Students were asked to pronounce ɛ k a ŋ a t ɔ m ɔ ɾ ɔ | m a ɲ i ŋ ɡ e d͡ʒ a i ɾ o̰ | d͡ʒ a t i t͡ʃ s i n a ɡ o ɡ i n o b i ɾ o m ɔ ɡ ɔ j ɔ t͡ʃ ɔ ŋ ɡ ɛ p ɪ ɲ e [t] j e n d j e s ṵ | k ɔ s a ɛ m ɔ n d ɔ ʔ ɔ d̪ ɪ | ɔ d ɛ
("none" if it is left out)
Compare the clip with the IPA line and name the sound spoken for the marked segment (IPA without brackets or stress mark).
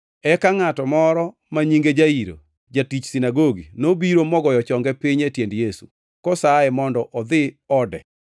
t